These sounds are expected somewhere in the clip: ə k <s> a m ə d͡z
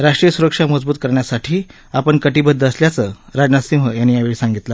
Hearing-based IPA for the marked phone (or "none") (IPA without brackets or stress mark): ʂ